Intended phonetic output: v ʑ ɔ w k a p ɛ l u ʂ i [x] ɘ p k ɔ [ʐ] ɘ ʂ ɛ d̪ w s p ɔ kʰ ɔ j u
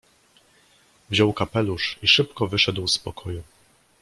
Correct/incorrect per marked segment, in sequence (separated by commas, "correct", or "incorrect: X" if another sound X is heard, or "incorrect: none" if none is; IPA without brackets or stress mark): incorrect: ʂ, incorrect: v